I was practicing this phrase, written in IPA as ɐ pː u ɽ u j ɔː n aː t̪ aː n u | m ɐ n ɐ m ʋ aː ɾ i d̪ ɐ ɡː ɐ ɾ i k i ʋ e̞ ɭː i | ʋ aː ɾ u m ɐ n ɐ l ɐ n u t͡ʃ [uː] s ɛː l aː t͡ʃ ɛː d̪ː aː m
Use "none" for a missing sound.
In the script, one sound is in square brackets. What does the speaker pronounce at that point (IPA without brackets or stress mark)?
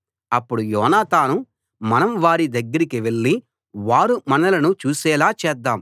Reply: uː